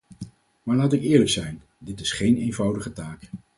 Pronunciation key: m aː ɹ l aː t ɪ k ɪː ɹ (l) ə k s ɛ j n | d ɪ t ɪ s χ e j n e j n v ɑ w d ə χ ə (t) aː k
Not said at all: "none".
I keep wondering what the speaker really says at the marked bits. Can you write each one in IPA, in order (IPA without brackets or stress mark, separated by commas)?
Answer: l, t